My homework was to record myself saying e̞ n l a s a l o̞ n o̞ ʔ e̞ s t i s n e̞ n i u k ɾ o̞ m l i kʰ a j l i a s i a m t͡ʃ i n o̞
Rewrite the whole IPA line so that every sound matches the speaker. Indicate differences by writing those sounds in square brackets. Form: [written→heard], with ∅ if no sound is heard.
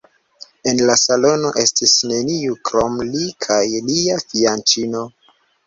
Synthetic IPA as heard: e̞ n l a s a l o̞ n o̞ ʔ e̞ s t i s n e̞ n i u k ɾ o̞ m l i kʰ a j l i a [s→f] i a [m→n] t͡ʃ i n o̞